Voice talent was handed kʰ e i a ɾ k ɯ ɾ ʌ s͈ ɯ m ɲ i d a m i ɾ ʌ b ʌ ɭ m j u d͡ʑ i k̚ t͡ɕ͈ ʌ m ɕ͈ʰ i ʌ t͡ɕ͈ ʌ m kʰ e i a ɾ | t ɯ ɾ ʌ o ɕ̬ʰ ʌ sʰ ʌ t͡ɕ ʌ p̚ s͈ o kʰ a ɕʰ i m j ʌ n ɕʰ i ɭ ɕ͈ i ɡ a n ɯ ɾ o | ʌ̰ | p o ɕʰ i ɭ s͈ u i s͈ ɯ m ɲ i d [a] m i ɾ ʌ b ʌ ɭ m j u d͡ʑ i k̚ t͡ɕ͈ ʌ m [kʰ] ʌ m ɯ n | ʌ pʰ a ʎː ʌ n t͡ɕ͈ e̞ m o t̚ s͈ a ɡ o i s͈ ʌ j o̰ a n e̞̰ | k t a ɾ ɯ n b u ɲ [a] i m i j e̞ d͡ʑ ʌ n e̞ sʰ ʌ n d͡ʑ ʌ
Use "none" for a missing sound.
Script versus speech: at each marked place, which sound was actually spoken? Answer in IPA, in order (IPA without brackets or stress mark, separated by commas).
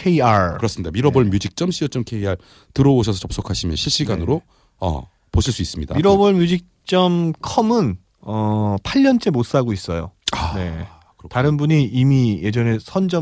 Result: a, kʰ, i